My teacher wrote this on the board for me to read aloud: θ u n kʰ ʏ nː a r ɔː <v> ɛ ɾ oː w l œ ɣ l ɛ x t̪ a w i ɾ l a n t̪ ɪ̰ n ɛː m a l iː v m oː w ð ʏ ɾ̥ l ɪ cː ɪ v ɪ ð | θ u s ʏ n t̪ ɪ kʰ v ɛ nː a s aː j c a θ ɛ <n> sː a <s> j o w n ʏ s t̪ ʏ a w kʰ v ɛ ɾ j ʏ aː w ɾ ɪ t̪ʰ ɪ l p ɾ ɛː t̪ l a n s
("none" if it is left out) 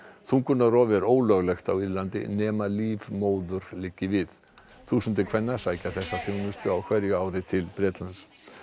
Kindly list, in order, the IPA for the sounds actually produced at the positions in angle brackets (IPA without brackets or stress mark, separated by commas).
v, none, θ